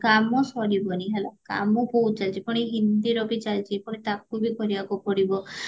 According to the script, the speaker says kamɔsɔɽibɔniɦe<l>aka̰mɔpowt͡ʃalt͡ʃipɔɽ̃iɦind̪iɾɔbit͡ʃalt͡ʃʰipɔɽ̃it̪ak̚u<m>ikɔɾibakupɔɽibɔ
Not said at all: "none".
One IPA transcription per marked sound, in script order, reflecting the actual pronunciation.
l, b

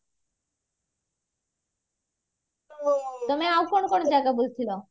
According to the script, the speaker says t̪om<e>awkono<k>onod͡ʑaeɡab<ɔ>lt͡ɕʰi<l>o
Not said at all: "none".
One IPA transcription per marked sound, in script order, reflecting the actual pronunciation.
e, k, o, l

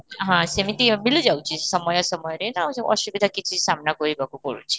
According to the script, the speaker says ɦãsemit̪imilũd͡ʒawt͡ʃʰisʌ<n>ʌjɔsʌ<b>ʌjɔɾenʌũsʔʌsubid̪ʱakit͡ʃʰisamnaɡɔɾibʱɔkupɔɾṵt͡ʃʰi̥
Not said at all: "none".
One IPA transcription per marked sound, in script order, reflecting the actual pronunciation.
m, m

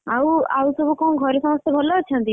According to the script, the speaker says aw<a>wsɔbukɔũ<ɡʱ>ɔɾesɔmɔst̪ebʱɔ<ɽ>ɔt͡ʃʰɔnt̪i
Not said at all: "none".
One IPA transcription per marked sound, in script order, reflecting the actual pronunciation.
a, ɡʱ, l

